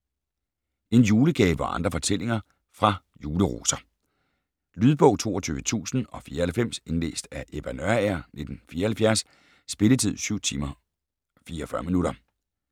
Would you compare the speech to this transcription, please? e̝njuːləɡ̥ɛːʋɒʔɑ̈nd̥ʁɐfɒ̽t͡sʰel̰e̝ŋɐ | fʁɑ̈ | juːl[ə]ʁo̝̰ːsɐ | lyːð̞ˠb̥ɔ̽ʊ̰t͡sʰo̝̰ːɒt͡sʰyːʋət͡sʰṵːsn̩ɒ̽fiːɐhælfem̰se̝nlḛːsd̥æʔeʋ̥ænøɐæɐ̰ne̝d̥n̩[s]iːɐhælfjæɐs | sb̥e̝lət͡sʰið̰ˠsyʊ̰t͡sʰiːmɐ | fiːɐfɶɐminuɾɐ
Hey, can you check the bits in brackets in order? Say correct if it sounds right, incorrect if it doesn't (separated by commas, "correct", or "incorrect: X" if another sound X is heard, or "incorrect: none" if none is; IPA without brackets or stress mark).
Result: correct, incorrect: f